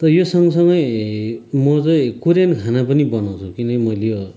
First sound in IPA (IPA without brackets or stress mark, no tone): t̪